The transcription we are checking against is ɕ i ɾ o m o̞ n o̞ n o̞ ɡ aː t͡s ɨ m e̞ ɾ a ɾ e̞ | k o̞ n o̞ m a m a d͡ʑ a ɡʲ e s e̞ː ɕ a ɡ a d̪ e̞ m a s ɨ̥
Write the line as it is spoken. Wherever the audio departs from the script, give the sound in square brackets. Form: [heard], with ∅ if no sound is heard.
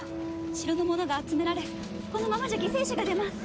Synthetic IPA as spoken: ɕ i ɾ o [n] o̞ [m] o̞ n o̞ ɡ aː t͡s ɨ m e̞ ɾ a ɾ e̞ | k o̞ n o̞ m a m a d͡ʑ a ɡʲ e s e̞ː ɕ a ɡ a d̪ e̞ m a s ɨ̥